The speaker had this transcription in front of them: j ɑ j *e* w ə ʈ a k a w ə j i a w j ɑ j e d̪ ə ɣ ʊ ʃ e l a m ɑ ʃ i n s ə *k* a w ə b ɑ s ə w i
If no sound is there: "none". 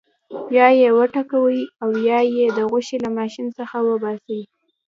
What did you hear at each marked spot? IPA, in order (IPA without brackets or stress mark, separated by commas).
e, x